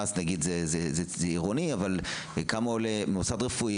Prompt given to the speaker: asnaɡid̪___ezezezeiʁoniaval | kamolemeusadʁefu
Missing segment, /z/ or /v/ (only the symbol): z